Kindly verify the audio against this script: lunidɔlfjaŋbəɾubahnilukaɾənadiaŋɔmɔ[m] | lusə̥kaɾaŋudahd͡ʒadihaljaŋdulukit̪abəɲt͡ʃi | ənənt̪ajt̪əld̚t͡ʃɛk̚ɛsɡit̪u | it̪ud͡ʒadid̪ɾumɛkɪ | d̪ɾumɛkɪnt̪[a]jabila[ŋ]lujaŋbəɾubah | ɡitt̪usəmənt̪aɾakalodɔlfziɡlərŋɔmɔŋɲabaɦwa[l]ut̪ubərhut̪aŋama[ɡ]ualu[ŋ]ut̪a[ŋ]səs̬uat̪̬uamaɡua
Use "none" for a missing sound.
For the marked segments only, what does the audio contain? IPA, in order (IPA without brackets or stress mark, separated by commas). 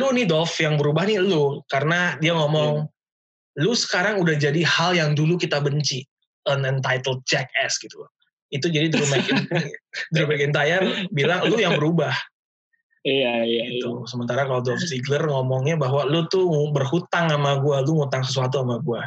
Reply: ŋ, a, ŋ, l, ɡ, ŋ, ŋ